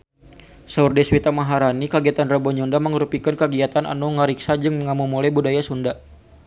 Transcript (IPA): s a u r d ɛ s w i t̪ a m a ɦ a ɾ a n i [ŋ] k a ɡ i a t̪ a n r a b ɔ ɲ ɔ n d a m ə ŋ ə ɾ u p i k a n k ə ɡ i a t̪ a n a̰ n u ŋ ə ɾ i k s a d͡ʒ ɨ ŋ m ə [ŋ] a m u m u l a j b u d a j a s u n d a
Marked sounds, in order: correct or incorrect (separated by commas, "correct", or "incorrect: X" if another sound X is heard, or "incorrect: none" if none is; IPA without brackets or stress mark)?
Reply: incorrect: none, correct